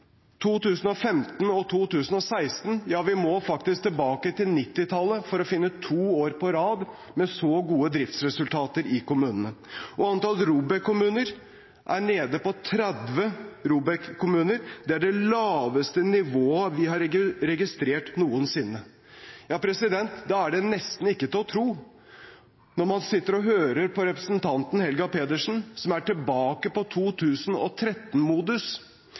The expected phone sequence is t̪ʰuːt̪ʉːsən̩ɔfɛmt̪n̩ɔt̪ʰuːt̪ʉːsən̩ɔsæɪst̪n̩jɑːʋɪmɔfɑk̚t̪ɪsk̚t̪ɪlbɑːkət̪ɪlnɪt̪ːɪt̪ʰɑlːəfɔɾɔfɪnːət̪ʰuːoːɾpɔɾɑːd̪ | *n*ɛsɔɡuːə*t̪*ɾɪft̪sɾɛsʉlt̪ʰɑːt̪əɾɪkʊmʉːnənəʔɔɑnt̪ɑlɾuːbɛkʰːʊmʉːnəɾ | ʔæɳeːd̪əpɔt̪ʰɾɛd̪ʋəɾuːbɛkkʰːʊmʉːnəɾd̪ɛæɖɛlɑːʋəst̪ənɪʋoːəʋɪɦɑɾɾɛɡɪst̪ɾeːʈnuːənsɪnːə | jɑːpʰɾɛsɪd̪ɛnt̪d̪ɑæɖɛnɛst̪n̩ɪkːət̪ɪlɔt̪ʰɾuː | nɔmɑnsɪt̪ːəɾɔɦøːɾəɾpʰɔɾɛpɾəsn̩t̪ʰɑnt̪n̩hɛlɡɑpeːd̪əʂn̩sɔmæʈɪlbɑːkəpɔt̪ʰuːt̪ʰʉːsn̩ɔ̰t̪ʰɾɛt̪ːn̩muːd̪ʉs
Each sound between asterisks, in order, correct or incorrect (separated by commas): incorrect, incorrect